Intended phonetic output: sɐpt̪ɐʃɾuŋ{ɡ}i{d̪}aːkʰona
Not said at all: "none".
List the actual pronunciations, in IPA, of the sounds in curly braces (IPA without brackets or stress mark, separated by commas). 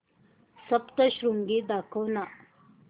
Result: ɡ, d̪